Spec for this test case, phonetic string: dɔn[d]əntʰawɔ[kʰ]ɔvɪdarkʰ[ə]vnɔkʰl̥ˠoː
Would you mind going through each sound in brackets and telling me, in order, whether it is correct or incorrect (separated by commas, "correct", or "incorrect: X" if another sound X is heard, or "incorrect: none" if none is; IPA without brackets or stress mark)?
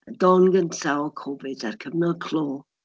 incorrect: ɡ, correct, correct